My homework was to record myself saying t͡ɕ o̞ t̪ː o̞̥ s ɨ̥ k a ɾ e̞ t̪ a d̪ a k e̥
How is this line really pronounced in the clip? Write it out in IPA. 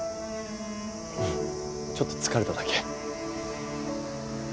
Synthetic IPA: t͡ɕ o̞ t̪ː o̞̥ t͡s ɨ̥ k a ɾ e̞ t̪ a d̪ a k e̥